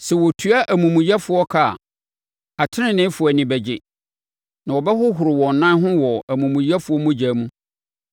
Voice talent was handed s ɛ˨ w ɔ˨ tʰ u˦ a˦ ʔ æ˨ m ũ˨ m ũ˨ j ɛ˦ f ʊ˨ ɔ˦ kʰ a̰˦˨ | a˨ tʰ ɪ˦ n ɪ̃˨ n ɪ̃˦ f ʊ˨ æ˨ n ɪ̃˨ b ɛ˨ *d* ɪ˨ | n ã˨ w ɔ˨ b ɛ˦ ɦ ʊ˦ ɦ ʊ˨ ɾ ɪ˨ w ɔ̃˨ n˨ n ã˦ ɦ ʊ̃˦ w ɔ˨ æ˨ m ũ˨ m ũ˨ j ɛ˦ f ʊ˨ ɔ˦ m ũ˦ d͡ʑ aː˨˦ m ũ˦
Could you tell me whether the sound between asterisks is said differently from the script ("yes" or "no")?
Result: yes